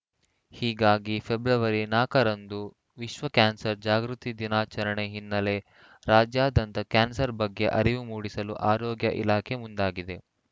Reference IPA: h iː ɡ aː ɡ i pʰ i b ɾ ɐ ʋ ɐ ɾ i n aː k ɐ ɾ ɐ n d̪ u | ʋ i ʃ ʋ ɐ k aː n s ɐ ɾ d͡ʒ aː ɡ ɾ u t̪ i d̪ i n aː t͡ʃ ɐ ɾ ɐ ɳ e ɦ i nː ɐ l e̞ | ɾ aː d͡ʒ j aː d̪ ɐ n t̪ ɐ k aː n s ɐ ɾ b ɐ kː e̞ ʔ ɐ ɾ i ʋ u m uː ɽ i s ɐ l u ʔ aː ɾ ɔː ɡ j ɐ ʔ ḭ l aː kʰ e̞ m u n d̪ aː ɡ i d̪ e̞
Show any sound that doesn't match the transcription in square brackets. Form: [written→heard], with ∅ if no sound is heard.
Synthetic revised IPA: h iː ɡ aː ɡ i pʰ [i→e] b ɾ ɐ ʋ ɐ ɾ i n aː k ɐ ɾ ɐ n d̪ u | ʋ i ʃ ʋ ɐ k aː n s ɐ ɾ d͡ʒ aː ɡ ɾ u t̪ i d̪ i n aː t͡ʃ ɐ ɾ ɐ ɳ e ɦ i nː ɐ l e̞ | ɾ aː d͡ʒ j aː d̪ ɐ n t̪ ɐ k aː n s ɐ ɾ b ɐ [kː→ɡː] e̞ ʔ ɐ ɾ i ʋ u m uː ɽ i s ɐ l u ʔ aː ɾ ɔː ɡ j ɐ ʔ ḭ l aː kʰ e̞ m u n d̪ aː ɡ i d̪ e̞